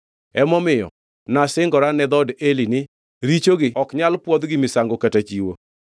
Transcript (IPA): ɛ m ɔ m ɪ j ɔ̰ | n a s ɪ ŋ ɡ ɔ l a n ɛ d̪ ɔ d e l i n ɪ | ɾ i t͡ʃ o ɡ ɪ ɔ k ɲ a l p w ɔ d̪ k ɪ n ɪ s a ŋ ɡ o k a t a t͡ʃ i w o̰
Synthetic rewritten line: ɛ m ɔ m ɪ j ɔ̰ | n a s ɪ ŋ ɡ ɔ ɾ a n ɛ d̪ ɔ d e l i n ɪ | ɾ i t͡ʃ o ɡ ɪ ɔ k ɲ a l p w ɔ d̪ ɡ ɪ m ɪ s a ŋ ɡ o k a t a t͡ʃ i w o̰